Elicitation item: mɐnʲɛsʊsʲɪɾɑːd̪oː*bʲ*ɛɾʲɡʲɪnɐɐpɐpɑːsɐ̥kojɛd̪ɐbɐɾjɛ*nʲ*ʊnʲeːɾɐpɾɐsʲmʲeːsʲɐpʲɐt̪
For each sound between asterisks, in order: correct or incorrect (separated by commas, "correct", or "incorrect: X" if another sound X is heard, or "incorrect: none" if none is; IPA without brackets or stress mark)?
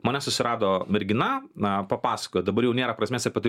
incorrect: mʲ, incorrect: none